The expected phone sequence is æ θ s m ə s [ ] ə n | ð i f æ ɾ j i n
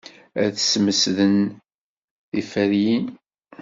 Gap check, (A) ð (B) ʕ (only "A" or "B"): A